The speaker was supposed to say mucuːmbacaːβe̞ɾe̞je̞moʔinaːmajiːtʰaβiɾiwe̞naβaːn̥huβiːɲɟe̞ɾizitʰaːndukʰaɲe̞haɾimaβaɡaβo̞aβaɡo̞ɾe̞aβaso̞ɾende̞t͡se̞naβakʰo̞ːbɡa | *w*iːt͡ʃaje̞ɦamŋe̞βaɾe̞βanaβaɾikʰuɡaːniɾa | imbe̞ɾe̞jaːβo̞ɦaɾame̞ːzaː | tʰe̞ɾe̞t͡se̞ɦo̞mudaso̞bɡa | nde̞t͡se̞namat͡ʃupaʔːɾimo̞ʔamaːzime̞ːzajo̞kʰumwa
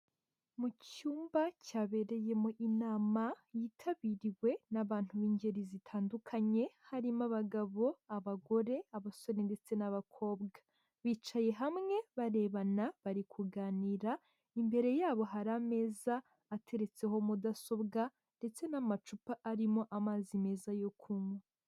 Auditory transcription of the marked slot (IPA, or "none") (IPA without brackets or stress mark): β